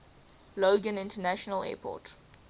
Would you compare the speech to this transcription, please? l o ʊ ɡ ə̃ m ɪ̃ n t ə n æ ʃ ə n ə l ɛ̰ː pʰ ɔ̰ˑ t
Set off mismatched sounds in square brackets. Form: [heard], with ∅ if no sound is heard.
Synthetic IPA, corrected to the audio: l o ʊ ɡ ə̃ [n] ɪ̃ n t ə n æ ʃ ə n ə l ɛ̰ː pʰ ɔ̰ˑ t